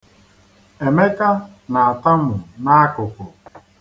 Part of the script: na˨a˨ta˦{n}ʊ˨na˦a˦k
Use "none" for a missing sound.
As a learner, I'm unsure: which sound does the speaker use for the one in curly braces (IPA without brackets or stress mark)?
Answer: m